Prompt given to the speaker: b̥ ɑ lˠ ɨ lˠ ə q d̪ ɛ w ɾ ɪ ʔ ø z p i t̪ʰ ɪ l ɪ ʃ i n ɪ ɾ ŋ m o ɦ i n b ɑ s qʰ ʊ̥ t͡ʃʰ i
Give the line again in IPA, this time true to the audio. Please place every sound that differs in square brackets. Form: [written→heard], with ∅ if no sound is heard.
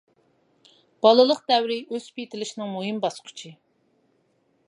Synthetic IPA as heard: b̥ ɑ lˠ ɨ lˠ ə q d̪ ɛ w ɾ ɪ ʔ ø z p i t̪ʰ ɪ l ɪ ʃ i n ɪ [ɾ→∅] ŋ m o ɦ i [n→m] b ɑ s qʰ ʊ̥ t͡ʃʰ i